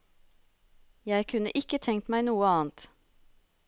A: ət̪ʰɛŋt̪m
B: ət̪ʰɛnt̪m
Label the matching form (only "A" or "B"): A